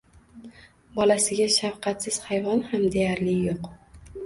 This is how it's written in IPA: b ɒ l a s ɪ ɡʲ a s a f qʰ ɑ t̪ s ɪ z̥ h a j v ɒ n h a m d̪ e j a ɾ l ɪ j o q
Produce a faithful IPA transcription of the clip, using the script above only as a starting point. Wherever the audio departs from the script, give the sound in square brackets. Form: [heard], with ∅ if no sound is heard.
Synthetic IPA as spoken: b ɒ l a s ɪ ɡʲ a [ʃ] a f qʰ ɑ t̪ s ɪ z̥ h a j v ɒ n h a m d̪ e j a ɾ l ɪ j o q

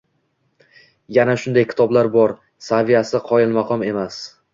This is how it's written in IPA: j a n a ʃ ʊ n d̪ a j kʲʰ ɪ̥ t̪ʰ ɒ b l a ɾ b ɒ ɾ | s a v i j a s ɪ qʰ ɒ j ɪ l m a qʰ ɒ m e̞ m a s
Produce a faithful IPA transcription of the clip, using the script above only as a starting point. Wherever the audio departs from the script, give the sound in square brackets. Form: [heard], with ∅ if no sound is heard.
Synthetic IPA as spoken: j a n a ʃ ʊ n d̪ a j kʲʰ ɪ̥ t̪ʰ ɒ b l a ɾ b ɒ ɾ | s a v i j a s ɪ qʰ ɒ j ɪ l m a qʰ ɒ m e̞ m a s

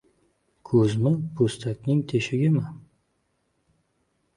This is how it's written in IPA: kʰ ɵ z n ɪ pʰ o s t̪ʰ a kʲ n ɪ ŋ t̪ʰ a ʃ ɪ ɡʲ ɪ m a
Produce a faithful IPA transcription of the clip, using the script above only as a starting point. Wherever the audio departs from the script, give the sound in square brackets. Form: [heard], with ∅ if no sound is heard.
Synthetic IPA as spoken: kʰ ɵ z [m] ɪ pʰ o s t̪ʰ a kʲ n ɪ ŋ t̪ʰ [e] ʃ ɪ ɡʲ ɪ m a

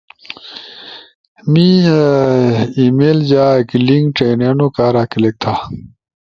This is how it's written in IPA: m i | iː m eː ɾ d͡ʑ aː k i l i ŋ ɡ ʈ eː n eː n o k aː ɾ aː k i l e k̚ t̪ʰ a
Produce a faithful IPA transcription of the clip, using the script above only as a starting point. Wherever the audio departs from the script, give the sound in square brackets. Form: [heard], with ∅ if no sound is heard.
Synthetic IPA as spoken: m i | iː m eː [l] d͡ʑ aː k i l i ŋ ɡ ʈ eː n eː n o k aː ɾ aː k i l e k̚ t̪ʰ a

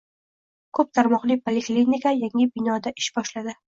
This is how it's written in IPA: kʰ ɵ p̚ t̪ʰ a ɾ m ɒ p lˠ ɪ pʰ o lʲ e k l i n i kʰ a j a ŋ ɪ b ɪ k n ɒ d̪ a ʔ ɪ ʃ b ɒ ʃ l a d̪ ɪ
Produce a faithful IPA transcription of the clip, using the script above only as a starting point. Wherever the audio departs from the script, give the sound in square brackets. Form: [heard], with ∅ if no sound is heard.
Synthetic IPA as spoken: kʰ ɵ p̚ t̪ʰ a ɾ m ɒ [q] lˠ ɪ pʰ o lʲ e k l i n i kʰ a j a ŋ ɪ b ɪ [∅] n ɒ d̪ a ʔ ɪ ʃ b ɒ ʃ l a d̪ ɪ

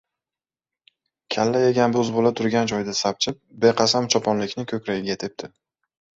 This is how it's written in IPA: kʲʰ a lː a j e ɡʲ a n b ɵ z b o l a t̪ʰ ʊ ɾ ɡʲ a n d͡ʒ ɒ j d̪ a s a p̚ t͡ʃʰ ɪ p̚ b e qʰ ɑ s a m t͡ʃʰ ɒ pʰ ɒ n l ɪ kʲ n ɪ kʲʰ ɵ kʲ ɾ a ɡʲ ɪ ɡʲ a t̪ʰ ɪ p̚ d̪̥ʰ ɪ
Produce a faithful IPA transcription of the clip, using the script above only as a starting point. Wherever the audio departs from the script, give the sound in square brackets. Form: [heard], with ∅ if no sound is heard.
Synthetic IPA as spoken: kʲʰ a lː a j e ɡʲ a n b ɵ z b o l a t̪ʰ ʊ ɾ ɡʲ a n d͡ʒ ɒ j d̪ a s a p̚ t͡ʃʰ ɪ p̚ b e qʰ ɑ s a m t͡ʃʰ ɒ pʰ ɒ n l ɪ kʲ n ɪ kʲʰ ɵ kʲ ɾ a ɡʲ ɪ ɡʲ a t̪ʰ ɪ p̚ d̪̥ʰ ɪ

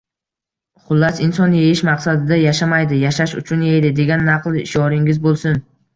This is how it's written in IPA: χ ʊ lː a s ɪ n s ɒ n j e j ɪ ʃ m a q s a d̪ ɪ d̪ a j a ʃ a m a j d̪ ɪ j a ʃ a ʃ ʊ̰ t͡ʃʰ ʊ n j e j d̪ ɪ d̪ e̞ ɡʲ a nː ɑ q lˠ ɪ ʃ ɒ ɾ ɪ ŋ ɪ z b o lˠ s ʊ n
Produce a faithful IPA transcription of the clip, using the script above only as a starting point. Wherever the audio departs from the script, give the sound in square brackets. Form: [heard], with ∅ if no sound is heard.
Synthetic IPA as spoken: χ ʊ lː a s ɪ n s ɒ n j e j ɪ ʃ m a q s a d̪ ɪ d̪ a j a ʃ a m a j d̪ ɪ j a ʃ a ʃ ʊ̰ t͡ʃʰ ʊ n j e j d̪ ɪ d̪ e̞ ɡʲ a nː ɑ q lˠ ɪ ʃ ɒ ɾ ɪ ŋ ɪ z b o lˠ s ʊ n

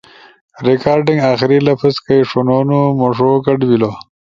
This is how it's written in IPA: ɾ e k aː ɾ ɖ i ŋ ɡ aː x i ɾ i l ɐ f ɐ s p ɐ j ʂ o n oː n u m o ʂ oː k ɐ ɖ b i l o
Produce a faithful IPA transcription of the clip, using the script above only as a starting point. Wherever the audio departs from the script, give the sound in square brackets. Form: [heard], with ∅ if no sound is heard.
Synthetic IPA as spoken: ɾ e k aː ɾ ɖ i ŋ ɡ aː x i ɾ i l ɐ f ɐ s [k] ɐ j ʂ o n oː n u m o ʂ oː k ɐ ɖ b i l o

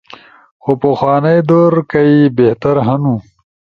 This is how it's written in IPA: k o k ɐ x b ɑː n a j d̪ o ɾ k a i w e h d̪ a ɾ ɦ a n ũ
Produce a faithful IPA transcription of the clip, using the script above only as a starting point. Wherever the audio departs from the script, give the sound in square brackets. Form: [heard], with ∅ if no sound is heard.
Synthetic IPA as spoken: [x] o [p] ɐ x [w] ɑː n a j d̪ o ɾ k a i [b] e h [t̪] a ɾ ɦ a n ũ

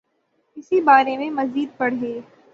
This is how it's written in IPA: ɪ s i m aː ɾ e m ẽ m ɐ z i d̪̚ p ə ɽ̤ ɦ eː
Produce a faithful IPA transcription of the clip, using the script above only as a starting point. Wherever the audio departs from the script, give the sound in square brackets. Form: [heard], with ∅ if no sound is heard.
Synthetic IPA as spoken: ɪ s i [b] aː ɾ e m ẽ m ɐ z [iː] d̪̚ p [ɐ] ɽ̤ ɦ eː

